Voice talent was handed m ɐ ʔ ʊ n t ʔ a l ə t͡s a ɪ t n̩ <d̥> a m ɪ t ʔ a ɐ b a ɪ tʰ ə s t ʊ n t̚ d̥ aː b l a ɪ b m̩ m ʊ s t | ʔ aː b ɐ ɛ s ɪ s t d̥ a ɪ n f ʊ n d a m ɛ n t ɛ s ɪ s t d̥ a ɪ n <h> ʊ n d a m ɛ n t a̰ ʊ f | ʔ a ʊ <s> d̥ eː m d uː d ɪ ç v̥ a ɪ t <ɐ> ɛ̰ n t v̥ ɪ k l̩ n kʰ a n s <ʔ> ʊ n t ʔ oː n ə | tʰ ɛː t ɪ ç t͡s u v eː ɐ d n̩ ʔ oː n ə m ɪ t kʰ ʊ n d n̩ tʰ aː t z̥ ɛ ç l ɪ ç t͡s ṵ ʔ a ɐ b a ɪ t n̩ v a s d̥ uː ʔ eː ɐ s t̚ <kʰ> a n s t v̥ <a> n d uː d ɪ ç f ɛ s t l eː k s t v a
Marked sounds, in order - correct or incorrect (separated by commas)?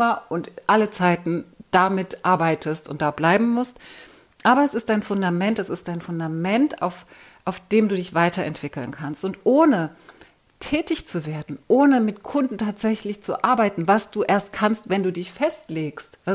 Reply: correct, incorrect, incorrect, correct, incorrect, correct, incorrect